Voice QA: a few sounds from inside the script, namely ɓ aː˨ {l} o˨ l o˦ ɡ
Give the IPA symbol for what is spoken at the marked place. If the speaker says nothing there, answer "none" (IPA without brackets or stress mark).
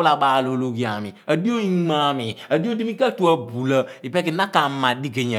l